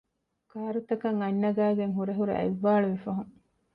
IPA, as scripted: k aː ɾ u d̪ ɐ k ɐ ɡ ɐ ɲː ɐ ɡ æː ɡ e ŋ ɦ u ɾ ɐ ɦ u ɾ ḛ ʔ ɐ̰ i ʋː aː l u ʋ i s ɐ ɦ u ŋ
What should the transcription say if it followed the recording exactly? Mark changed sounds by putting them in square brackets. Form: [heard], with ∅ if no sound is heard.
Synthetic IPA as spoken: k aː ɾ u [t̪] ɐ k ɐ [ŋ] ɐ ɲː ɐ ɡ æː ɡ e ŋ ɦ u ɾ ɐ ɦ u ɾ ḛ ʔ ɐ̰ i ʋː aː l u ʋ i [f] ɐ ɦ u ŋ